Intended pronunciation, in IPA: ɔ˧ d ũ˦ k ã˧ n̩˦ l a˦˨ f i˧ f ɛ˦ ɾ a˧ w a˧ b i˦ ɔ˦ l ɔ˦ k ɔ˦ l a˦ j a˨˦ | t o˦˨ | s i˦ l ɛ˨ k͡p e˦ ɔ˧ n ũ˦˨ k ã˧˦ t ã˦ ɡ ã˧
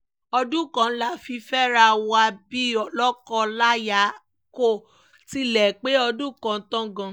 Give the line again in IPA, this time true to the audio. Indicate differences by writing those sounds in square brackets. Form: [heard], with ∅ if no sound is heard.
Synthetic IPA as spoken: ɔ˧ d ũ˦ k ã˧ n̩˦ l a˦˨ f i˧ f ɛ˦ ɾ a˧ w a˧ b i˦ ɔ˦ l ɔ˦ k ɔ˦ l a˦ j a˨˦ | [k] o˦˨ | [t] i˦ l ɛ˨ k͡p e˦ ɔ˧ [d] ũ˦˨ k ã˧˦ t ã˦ ɡ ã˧